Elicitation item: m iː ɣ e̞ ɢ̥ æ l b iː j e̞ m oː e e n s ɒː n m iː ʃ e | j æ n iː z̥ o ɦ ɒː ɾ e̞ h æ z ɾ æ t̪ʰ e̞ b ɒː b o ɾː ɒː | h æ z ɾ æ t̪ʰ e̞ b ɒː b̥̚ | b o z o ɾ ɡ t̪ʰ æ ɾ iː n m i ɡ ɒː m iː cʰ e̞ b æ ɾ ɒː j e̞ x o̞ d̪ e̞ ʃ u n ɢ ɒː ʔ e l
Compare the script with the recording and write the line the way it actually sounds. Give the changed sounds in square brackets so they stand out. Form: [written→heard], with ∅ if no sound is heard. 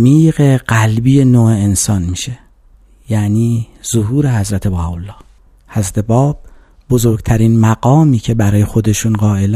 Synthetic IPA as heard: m iː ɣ e̞ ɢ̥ æ l b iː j e̞ [m→n] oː e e n s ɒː n m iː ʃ e | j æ n iː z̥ o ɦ [ɒː→uː] ɾ e̞ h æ z ɾ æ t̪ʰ e̞ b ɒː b o [ɾː→lː] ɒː | h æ z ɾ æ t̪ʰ e̞ b ɒː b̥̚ | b o z o ɾ ɡ t̪ʰ æ ɾ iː n m [i→æ] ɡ ɒː m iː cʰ e̞ b æ ɾ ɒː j e̞ x o̞ d̪ e̞ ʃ u n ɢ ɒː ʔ e l